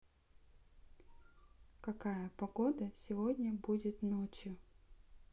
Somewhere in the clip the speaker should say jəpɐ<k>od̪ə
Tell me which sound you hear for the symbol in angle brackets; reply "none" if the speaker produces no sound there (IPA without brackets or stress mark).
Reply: ɡ